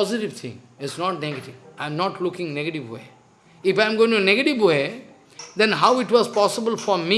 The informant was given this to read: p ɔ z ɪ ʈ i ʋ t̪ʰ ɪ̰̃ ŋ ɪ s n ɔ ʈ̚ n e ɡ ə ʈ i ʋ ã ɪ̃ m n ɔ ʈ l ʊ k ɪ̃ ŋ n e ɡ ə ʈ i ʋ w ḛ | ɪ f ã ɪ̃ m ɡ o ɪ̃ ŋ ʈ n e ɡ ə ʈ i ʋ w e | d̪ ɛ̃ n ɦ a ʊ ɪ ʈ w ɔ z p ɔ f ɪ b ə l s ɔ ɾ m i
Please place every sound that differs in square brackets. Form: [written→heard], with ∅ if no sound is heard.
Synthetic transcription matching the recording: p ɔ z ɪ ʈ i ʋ t̪ʰ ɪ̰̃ ŋ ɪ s n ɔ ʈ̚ n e ɡ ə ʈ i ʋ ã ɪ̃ m n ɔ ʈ l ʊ k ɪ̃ ŋ n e ɡ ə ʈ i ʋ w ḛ | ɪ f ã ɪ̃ m ɡ o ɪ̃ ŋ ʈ n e ɡ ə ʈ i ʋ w e | d̪ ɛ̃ n ɦ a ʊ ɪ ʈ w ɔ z p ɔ [f→s] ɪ b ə l [s→f] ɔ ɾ m i

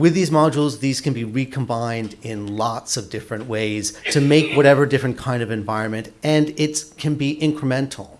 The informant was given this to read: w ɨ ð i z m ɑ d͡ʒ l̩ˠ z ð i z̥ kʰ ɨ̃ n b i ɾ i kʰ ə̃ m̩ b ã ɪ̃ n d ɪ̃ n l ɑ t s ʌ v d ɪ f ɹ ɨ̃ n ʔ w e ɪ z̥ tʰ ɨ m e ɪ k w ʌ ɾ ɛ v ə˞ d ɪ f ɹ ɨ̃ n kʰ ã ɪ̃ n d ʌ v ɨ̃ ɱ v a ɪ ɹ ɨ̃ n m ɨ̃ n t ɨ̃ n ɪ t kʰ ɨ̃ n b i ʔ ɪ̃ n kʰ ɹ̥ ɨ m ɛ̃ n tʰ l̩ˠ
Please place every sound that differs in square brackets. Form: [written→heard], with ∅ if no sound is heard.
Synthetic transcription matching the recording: w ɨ ð i z m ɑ d͡ʒ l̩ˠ z ð i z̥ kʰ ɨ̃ n b i [ɾ→ɹ] i kʰ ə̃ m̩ b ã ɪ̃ n d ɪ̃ n l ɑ t s ʌ v d ɪ f ɹ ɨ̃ n ʔ w e ɪ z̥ tʰ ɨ m e ɪ k w ʌ ɾ ɛ v ə˞ d ɪ f ɹ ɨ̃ n kʰ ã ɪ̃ n d ʌ v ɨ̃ ɱ v a ɪ ɹ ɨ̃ n m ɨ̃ n t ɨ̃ n ɪ t kʰ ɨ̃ n b i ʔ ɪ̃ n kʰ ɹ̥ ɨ m ɛ̃ n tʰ l̩ˠ

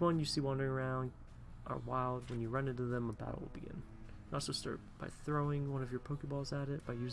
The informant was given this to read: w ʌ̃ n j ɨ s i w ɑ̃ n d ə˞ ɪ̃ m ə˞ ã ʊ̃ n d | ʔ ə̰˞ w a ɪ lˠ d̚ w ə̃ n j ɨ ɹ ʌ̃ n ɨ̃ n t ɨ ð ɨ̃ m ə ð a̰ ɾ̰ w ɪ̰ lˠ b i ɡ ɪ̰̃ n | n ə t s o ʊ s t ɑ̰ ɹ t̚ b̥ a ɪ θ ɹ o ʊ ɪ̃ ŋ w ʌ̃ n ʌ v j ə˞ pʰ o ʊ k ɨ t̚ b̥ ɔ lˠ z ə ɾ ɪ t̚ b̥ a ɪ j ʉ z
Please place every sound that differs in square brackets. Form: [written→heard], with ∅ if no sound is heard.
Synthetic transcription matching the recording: w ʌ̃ n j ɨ s i w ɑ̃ n d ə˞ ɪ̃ [m→ŋ] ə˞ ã ʊ̃ n d | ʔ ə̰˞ w a ɪ lˠ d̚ w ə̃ n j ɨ ɹ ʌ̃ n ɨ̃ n t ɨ ð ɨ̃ m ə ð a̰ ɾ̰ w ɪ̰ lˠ b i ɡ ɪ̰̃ n | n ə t s o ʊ s t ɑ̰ ɹ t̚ b̥ a ɪ θ ɹ o ʊ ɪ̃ ŋ w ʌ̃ n ʌ v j ə˞ pʰ o ʊ k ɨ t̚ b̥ ɔ lˠ z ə ɾ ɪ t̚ b̥ a ɪ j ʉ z

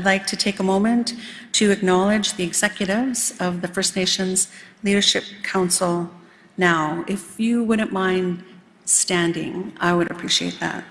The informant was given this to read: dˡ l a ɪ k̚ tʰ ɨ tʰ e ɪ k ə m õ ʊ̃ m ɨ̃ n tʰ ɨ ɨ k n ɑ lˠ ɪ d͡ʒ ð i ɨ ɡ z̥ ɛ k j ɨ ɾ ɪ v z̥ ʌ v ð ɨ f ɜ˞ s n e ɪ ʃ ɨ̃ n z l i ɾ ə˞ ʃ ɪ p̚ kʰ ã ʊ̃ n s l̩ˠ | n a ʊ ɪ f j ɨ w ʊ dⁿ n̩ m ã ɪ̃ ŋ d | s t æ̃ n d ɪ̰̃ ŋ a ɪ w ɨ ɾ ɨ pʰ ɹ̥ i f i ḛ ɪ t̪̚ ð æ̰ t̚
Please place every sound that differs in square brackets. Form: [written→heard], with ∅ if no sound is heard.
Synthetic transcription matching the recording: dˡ l a ɪ k̚ tʰ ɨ tʰ e ɪ k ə m õ ʊ̃ m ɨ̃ n tʰ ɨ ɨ k n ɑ lˠ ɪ d͡ʒ ð i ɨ ɡ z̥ ɛ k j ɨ ɾ ɪ v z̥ ʌ v ð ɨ f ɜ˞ s n e ɪ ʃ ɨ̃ n z l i ɾ ə˞ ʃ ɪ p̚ kʰ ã ʊ̃ n s l̩ˠ | n a ʊ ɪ f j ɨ w ʊ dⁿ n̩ m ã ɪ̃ [ŋ→n] d | s t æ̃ n d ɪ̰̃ ŋ a ɪ w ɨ ɾ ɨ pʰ ɹ̥ i [f→ʃ] i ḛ ɪ t̪̚ ð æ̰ t̚

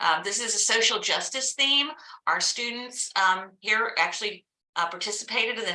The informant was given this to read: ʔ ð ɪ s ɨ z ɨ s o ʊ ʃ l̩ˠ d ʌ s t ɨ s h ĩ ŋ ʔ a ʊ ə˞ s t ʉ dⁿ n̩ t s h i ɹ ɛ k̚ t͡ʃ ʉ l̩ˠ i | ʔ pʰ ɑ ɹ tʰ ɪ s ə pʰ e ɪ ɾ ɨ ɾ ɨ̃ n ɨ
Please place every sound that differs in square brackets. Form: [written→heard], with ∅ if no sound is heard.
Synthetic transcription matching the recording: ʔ ð ɪ s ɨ z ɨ s o ʊ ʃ l̩ˠ [d→d͡ʒ] ʌ s t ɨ s [h→θ] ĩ [ŋ→m] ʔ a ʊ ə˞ s t ʉ dⁿ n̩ t s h i ɹ [ɛ→æ] k̚ t͡ʃ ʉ l̩ˠ i | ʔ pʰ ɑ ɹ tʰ ɪ s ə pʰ e ɪ ɾ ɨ ɾ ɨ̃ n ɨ

